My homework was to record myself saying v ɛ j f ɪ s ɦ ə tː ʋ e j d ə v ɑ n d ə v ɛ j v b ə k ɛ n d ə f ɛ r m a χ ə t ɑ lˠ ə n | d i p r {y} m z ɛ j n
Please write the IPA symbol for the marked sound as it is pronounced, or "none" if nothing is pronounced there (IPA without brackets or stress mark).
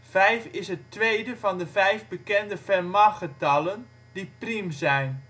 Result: i